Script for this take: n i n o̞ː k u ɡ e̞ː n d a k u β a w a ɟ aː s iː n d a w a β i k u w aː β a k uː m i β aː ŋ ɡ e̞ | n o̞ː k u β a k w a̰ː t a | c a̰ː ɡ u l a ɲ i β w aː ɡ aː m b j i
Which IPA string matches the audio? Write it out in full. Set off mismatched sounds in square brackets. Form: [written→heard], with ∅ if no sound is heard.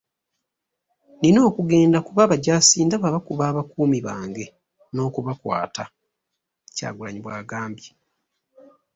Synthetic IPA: n i n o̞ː k u ɡ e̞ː n d a k u β a [w→β] a ɟ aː s iː n d a [w→β] a β [i→a] k u [w→β] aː β a k uː m i β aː ŋ ɡ e̞ | n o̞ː k u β a k w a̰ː t a | c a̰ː ɡ u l a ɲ i β w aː ɡ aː m b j i